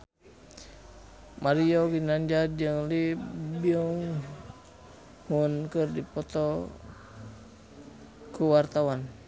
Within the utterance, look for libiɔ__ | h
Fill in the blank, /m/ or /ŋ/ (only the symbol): ŋ